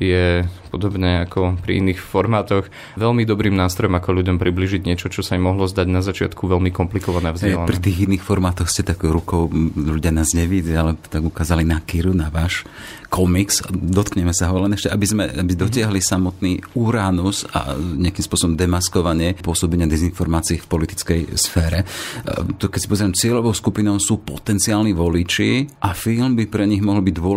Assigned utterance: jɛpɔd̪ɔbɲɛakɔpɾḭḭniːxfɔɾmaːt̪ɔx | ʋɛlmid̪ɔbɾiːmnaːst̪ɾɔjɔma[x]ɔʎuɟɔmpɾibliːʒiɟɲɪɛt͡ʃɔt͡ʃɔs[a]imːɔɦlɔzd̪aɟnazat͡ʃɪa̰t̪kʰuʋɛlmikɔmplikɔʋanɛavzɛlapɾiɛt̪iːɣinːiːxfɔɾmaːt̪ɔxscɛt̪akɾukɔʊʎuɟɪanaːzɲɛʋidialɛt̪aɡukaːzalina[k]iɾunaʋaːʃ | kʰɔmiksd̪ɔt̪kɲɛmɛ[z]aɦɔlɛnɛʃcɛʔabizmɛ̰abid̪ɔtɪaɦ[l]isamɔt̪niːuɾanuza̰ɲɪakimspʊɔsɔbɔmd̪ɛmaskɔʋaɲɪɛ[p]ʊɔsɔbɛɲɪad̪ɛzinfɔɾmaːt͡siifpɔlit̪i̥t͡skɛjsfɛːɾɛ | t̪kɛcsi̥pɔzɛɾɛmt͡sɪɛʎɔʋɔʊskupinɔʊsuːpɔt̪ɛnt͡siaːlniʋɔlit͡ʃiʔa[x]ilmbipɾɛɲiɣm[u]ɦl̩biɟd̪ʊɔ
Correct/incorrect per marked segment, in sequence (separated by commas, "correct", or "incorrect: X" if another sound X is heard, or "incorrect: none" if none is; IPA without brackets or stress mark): incorrect: k, correct, correct, incorrect: s, correct, correct, incorrect: f, incorrect: ɔ